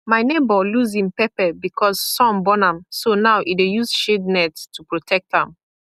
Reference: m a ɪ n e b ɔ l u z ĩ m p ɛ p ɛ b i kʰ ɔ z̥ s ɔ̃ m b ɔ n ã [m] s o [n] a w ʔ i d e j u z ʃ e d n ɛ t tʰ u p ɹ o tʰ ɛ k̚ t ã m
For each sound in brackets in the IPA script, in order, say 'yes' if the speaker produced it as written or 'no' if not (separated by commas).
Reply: yes, yes